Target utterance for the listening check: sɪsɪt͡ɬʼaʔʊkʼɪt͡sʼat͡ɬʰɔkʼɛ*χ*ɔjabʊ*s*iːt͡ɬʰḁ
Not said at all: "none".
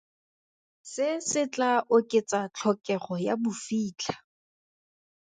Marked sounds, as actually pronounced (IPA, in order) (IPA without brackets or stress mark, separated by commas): χ, f